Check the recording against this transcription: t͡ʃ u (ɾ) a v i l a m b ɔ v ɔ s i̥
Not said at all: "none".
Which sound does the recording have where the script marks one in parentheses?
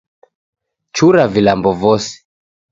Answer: ɾ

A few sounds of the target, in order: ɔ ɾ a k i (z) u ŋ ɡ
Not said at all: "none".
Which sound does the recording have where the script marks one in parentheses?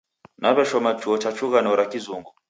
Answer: z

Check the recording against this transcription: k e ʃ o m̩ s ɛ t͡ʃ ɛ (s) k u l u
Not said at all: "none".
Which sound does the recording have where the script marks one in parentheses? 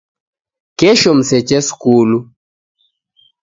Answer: s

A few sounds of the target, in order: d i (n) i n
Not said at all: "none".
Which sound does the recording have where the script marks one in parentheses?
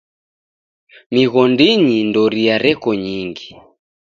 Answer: ɲ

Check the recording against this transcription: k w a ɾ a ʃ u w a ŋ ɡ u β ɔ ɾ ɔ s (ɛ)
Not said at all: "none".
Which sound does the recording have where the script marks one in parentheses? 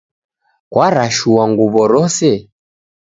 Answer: ɛ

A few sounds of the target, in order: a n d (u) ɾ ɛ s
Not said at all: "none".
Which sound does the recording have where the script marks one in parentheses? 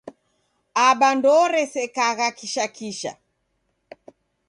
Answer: ɔ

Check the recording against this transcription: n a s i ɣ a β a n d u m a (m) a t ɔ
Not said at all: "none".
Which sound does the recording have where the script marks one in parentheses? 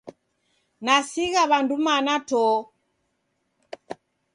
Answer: n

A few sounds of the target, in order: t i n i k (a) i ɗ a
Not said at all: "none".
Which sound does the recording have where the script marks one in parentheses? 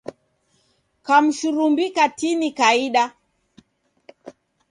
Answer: a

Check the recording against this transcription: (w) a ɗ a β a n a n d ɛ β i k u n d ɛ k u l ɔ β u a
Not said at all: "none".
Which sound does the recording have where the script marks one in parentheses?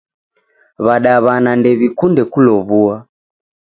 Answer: β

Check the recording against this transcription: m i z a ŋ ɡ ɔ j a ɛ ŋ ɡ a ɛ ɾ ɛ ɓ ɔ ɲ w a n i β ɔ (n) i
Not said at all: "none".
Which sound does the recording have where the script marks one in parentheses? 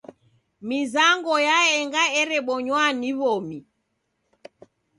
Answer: m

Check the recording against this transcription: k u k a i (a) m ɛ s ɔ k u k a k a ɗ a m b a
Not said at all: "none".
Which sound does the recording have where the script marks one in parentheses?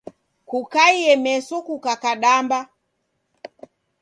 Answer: ɛ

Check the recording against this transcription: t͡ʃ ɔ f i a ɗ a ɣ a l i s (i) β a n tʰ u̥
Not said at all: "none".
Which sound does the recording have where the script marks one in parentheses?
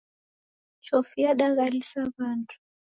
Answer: a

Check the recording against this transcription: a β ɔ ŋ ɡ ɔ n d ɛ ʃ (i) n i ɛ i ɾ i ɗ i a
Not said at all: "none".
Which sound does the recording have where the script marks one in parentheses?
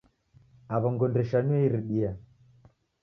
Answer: a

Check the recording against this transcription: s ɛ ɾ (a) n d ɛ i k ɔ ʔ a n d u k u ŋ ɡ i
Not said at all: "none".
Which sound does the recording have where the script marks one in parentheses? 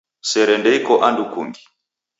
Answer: ɛ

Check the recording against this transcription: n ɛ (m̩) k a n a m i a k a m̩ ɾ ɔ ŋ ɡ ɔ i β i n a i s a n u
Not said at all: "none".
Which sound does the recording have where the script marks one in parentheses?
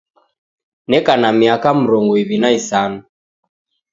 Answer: none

